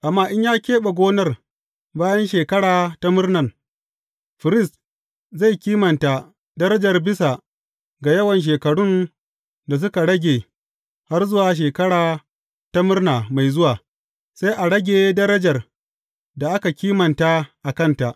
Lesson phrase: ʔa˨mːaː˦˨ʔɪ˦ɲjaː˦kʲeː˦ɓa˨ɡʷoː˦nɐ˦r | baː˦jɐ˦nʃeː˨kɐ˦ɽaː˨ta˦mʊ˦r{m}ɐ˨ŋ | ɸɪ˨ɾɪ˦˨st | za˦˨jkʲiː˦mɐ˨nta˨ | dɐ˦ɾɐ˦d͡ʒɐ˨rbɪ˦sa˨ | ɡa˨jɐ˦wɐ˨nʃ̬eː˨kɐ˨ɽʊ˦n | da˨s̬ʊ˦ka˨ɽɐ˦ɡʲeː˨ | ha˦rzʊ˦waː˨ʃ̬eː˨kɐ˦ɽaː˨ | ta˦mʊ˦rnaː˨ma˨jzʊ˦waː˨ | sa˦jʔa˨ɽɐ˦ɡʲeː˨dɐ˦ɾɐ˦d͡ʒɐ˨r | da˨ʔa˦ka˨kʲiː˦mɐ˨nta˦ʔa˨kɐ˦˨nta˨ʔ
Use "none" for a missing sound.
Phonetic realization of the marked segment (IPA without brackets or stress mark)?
n